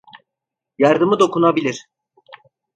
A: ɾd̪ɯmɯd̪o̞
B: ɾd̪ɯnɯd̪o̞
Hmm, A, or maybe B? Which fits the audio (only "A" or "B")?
A